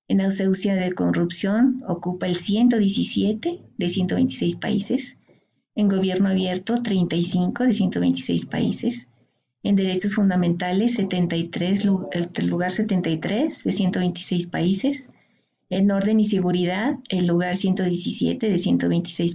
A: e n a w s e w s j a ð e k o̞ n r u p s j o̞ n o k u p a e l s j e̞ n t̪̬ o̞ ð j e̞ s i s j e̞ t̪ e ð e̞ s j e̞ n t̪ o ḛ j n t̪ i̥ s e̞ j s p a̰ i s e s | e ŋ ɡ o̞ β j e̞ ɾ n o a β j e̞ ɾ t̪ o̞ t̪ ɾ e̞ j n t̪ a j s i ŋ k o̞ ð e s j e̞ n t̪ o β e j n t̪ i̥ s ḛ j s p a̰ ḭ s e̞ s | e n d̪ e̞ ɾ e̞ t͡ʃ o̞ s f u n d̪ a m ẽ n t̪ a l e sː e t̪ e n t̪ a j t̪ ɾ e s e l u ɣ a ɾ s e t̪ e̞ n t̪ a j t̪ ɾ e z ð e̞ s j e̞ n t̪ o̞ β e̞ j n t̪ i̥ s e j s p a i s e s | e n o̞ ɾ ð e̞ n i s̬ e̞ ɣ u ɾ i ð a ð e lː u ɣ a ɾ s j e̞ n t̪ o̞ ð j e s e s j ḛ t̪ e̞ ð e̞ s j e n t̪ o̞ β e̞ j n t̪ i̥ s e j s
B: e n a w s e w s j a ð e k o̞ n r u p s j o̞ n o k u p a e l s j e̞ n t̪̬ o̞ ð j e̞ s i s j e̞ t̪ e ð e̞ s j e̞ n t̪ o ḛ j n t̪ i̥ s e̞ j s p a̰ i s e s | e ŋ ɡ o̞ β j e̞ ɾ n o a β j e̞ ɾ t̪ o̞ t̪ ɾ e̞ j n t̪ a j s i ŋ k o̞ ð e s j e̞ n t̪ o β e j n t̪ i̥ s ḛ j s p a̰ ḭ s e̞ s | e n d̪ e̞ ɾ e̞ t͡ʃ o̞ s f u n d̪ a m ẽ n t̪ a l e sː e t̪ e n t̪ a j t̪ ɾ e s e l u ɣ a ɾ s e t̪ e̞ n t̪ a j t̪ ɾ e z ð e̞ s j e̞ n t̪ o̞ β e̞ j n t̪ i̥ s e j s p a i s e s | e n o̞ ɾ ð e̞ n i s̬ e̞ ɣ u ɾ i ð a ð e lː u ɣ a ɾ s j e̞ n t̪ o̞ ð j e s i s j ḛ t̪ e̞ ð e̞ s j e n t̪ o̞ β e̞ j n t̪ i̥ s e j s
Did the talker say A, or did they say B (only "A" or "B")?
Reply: B